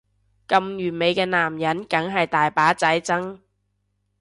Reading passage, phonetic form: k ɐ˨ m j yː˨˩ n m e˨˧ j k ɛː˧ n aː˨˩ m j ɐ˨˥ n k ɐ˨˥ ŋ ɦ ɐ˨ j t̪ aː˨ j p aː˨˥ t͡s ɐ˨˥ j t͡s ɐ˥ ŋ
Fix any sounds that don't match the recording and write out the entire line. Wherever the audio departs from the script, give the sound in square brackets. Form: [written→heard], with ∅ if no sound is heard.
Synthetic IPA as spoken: k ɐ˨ m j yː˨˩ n m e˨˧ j k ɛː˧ n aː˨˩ m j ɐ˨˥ n k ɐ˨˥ ŋ ɦ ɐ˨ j t̪ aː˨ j p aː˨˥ t͡s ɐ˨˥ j t͡s ɐ˥ ŋ